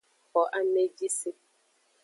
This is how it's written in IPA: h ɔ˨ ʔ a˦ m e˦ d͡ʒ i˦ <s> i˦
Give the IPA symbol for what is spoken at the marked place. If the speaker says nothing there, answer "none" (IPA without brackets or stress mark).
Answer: s